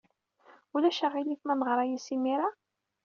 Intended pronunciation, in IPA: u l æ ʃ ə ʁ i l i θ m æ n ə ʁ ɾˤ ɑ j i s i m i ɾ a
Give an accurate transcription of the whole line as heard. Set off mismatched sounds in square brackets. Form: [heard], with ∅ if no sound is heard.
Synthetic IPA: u l æ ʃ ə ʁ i l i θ m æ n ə ʁ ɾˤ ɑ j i s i m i ɾ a

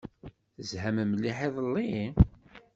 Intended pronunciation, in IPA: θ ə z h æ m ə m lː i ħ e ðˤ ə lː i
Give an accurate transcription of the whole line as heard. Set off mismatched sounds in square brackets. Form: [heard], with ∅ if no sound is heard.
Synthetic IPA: θ ə z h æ m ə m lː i ħ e ðˤ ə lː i

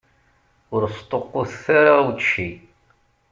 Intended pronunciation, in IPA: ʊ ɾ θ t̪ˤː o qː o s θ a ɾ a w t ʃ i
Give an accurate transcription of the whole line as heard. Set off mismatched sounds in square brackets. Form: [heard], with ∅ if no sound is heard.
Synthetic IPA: ʊ ɾ [s] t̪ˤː o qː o [θ] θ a ɾ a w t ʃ i

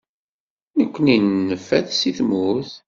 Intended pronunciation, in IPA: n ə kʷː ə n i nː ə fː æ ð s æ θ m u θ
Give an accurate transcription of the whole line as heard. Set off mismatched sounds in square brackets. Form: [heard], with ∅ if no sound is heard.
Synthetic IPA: n ə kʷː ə n i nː ə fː æ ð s [i] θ m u θ

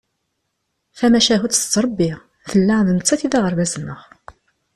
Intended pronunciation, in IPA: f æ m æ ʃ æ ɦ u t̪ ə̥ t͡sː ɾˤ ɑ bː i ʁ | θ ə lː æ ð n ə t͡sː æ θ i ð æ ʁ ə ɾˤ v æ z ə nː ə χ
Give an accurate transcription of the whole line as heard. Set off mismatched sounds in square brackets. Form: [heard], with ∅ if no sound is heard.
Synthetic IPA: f æ m æ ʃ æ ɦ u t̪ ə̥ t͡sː ɾˤ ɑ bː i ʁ | θ ə lː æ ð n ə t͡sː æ θ i ð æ ʁ ə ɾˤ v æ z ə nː ə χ

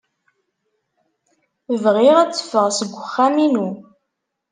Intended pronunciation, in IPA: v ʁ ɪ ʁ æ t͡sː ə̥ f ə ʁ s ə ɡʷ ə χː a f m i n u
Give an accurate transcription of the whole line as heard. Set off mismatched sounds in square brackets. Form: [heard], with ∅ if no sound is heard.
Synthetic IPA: v ʁ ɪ ʁ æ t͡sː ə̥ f ə ʁ s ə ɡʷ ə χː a [∅] m i n u

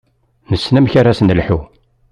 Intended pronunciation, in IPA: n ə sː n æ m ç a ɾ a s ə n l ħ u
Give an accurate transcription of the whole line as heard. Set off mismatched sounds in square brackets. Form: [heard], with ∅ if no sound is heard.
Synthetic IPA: n ə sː n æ m ç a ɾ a s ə n l ħ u

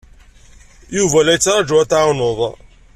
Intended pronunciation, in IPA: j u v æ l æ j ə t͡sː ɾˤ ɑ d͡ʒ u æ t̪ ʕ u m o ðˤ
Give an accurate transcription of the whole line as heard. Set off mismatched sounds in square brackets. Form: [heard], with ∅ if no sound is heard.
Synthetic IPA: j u v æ l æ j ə t͡sː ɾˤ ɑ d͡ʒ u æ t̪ ʕ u [n] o ðˤ

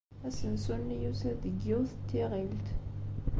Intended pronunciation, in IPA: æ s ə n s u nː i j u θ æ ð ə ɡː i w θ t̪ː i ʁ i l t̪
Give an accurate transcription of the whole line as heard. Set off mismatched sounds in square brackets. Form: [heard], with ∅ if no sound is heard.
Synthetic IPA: æ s ə n s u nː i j u [s] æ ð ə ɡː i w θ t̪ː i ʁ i l t̪

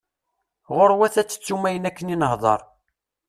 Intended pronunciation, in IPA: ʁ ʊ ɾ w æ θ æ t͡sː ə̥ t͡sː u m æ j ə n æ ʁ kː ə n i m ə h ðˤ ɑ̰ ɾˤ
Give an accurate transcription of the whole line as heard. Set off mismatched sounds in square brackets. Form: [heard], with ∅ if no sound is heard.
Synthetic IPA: ʁ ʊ ɾ w æ θ æ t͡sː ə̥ t͡sː u m æ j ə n æ [∅] kː ə n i [n] ə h ðˤ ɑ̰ ɾˤ

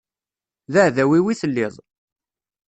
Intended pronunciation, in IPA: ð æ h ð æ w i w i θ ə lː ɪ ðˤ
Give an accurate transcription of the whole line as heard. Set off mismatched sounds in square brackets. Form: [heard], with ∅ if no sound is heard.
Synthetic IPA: ð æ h ð æ w i w i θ ə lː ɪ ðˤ

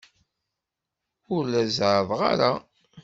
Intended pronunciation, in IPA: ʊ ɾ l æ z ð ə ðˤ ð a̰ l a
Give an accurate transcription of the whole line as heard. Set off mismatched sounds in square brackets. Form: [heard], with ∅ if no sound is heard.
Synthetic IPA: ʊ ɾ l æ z [ʕ] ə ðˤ [ʁ] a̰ [ɾ] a

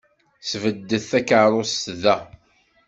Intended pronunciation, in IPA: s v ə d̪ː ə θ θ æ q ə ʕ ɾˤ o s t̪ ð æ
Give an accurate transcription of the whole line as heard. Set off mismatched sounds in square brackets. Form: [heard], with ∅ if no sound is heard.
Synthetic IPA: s v ə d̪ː ə θ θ æ [k] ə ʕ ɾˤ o s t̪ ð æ

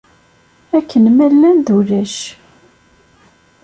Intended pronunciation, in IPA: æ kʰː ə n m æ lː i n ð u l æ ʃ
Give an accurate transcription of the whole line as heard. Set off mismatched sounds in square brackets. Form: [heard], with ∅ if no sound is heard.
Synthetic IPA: æ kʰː ə n m æ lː [æ] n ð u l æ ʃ

